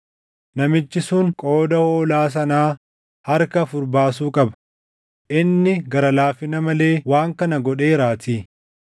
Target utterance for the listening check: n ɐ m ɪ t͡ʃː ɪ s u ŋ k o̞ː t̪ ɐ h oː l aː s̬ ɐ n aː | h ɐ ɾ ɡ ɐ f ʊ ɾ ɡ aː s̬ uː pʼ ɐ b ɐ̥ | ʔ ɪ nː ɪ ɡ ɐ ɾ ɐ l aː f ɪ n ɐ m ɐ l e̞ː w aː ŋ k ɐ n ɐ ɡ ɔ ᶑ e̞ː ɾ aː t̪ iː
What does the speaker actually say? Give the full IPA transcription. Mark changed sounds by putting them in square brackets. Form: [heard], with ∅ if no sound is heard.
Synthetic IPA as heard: n ɐ m ɪ t͡ʃː ɪ s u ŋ [kʼ] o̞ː [d̪] ɐ h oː l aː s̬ ɐ n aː | h ɐ ɾ [k] ɐ f ʊ ɾ [b] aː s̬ uː [kʼ] ɐ b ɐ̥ | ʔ ɪ nː ɪ ɡ ɐ ɾ ɐ l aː f ɪ n ɐ m ɐ l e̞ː w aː ŋ k ɐ n ɐ ɡ ɔ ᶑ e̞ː ɾ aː t̪ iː